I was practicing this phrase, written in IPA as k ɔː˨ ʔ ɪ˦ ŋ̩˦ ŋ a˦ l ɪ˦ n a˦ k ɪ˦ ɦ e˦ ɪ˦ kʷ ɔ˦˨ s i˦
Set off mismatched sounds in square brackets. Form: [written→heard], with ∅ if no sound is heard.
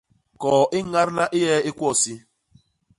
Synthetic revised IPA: k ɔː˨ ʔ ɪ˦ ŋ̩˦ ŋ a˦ [l→ɾ] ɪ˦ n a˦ [k→ʔ] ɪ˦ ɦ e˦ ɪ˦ kʷ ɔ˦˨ s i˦